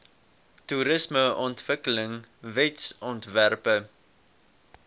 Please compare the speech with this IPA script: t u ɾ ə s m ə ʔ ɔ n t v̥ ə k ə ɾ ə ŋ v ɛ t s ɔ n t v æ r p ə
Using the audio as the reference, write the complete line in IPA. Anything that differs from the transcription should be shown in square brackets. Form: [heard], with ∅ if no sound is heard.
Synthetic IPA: t u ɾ ə s m ə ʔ ɔ n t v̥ ə k ə [l] ə ŋ v ɛ t s ɔ n t v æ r p ə